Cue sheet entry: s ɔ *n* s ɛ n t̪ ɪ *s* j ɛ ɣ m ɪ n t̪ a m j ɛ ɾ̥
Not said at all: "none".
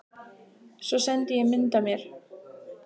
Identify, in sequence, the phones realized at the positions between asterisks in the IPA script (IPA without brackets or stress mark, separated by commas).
none, none